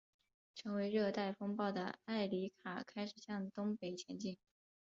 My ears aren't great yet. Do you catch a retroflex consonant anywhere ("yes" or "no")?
yes